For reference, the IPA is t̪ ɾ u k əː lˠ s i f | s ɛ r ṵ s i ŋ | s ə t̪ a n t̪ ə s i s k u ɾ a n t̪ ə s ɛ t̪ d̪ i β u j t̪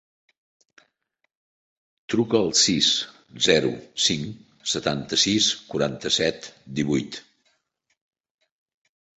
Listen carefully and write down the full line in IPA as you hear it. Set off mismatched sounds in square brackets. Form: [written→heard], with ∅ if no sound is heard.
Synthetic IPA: t̪ ɾ u k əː lˠ s i [f→s] | [s→z] ɛ [r→ɾ] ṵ s i ŋ | s ə t̪ a n t̪ ə s i s k u ɾ a n t̪ ə s ɛ t̪ d̪ i β u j t̪